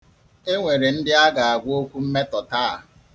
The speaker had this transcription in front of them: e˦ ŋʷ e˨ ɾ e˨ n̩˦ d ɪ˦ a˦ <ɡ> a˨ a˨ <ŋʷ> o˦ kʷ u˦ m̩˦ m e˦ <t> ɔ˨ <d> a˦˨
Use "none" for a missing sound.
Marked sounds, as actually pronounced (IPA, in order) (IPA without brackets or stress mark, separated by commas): ɡ, ɡʷ, t, t